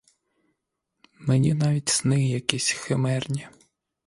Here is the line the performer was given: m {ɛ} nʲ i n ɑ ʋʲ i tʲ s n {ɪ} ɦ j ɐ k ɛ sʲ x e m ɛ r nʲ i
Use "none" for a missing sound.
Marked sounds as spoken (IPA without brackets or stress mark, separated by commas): e, ɪ